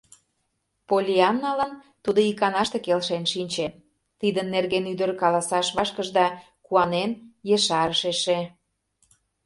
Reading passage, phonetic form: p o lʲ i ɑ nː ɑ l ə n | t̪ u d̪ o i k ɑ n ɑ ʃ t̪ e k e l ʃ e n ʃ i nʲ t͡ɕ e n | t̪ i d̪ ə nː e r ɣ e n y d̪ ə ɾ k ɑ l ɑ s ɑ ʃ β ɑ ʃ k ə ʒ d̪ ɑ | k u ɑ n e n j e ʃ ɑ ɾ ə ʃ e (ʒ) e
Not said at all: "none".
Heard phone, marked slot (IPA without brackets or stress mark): ʃ